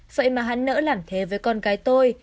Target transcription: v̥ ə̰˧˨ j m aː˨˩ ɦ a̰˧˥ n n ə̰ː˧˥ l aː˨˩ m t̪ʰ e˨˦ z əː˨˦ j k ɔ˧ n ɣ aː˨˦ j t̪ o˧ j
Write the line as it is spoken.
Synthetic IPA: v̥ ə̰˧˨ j m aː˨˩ ɦ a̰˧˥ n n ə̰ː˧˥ l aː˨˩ m t̪ʰ e˨˦ v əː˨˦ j k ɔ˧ n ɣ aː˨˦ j t̪ o˧ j